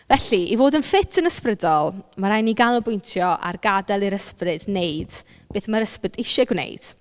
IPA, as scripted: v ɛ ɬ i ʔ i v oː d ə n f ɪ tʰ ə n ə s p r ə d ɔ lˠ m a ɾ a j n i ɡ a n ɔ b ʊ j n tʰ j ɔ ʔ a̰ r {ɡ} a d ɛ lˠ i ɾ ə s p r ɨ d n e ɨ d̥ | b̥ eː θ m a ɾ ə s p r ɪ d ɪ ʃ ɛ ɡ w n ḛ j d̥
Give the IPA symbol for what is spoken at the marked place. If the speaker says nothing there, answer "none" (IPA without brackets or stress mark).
ɡ